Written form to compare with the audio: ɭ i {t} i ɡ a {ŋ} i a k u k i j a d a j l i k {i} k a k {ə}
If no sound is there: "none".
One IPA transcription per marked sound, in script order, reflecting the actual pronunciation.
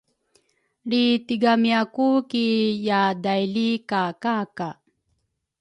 t, m, a, a

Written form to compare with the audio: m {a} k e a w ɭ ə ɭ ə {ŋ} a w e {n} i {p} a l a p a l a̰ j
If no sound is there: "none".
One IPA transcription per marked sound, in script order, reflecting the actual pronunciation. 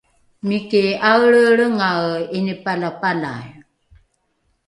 i, ŋ, n, p

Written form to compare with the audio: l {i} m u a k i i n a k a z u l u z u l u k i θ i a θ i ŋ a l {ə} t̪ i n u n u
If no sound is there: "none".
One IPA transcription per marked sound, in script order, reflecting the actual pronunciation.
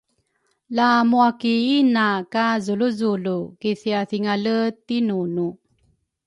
a, ə

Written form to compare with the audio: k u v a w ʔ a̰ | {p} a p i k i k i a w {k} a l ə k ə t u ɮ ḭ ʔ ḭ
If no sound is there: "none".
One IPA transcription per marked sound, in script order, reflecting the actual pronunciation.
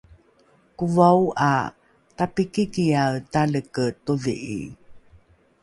t, t

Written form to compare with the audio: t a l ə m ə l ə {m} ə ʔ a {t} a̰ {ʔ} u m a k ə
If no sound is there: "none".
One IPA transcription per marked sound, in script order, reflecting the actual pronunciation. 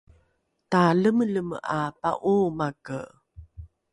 m, p, ʔ

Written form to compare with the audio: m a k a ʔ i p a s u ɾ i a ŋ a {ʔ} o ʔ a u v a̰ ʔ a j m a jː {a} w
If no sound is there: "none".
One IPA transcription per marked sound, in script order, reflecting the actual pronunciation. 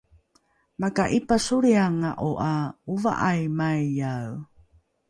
ʔ, a

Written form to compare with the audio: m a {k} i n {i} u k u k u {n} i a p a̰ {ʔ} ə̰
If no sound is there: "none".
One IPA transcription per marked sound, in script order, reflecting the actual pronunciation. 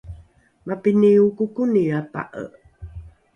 p, i, n, ʔ

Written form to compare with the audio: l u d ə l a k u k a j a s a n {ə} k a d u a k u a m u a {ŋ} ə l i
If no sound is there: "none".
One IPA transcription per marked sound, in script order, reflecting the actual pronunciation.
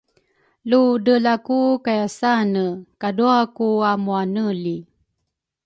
ə, n

